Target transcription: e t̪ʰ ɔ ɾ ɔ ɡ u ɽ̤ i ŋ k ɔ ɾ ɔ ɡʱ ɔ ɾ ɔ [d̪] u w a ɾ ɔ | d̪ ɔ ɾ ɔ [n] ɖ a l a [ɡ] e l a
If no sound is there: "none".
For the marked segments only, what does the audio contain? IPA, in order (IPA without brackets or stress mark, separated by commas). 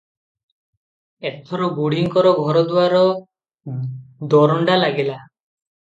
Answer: d̪, ɳ, ɡ